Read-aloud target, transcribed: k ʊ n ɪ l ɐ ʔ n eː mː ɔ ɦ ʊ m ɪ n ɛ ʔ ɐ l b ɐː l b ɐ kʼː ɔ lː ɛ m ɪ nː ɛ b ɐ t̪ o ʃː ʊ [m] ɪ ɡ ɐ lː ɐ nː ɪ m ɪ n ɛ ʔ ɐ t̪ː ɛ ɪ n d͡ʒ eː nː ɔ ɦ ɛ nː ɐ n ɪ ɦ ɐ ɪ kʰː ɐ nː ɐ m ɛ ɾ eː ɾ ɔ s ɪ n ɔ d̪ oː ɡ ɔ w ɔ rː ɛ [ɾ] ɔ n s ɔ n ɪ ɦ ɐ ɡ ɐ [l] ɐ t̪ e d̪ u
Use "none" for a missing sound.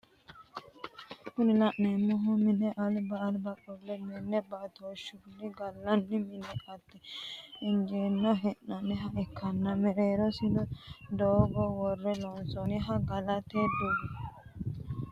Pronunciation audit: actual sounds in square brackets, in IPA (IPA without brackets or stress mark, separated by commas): n, l, l